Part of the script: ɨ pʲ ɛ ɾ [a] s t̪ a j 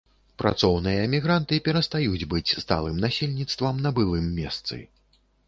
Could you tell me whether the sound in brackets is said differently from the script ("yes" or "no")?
yes